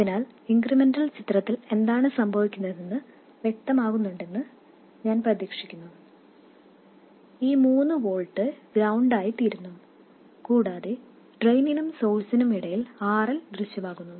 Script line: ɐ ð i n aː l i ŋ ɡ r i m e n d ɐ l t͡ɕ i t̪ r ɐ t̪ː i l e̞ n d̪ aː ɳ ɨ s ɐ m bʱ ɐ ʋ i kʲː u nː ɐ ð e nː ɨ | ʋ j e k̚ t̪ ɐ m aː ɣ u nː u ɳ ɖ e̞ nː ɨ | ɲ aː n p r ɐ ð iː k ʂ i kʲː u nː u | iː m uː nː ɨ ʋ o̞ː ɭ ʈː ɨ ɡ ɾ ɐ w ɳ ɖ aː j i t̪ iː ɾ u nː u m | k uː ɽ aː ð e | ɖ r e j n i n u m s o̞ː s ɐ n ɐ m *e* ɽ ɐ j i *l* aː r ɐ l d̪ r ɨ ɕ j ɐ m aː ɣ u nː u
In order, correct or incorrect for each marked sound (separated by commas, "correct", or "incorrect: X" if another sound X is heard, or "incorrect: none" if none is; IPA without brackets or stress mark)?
incorrect: i, correct